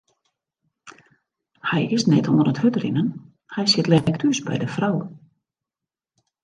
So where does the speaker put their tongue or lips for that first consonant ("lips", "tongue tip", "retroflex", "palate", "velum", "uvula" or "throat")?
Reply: throat